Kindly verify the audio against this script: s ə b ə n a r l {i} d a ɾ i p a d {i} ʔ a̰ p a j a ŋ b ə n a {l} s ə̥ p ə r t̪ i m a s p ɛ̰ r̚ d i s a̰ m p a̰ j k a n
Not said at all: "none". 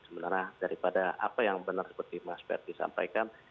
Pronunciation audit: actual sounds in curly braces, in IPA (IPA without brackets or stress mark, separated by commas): a, a, r